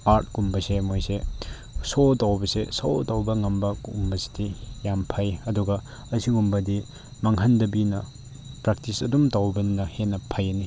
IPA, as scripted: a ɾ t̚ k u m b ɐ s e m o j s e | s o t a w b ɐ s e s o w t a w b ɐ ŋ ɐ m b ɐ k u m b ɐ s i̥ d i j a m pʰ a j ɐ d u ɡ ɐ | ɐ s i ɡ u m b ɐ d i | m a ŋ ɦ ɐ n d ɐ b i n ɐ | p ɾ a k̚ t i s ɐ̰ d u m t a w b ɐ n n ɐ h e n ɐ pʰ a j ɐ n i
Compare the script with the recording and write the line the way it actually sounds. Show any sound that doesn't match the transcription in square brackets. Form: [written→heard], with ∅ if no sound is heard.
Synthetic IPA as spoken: a ɾ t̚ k u m b ɐ s e m o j s e | s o t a w b ɐ s e s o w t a w b ɐ ŋ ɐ m b ɐ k u m b ɐ s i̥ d i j a m pʰ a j ɐ d u ɡ ɐ | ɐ s i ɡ u m b ɐ d i | m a ŋ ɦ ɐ n d ɐ b i n ɐ | p ɾ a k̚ t i s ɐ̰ d u m t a w b ɐ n n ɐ h e n ɐ pʰ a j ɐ n i